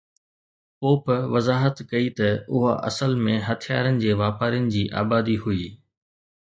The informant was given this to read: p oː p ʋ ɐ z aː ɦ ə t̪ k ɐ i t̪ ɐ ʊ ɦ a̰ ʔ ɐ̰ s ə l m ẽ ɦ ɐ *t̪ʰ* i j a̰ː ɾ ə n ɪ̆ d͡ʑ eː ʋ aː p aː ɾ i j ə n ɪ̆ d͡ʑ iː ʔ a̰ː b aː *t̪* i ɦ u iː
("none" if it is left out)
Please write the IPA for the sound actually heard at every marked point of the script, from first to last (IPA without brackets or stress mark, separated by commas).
t̪ʰ, d̪